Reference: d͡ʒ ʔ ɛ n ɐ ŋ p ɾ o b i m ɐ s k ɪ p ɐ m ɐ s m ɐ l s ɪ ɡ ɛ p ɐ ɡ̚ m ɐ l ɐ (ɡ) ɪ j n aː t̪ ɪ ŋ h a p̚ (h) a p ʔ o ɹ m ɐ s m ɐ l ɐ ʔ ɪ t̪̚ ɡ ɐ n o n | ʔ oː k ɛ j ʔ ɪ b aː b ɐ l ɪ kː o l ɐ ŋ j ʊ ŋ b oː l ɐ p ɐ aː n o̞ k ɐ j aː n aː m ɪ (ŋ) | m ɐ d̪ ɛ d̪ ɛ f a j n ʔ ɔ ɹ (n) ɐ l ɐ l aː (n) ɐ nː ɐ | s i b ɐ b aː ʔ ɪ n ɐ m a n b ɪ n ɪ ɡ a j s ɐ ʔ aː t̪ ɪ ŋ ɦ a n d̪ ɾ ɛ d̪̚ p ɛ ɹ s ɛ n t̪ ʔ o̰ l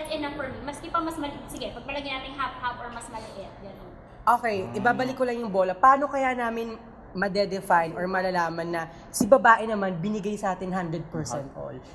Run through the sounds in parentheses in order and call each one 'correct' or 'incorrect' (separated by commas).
correct, correct, incorrect, incorrect, incorrect